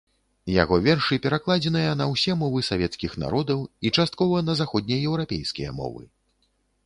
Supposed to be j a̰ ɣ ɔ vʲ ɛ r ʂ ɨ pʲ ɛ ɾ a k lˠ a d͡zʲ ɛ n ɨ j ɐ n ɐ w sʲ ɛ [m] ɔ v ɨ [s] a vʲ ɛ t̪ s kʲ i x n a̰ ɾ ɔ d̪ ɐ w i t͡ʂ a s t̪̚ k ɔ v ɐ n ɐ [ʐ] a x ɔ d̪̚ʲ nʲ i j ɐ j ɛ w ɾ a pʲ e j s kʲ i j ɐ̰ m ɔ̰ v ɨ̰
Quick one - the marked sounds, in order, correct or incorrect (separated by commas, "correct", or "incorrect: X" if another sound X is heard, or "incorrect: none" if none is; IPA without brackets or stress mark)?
correct, correct, incorrect: z